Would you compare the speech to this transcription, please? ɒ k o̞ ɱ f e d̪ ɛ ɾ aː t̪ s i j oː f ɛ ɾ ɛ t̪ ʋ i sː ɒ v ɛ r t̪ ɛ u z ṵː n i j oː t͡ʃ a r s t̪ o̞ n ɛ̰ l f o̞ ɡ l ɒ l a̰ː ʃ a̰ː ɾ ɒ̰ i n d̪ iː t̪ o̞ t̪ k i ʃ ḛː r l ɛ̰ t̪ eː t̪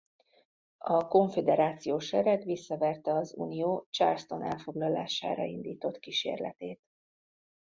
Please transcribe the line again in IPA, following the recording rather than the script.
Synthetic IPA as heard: ɒ k o̞ ɱ f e d̪ ɛ ɾ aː t̪ s i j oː ʃ ɛ ɾ ɛ t̪ ʋ i sː ɒ v ɛ r t̪ ɛ ɒ z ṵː n i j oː t͡ʃ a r s t̪ o̞ n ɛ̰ l f o̞ ɡ l ɒ l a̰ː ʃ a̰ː ɾ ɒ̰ i n d̪ iː t̪ o̞ t̪ k i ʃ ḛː r l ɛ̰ t̪ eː t̪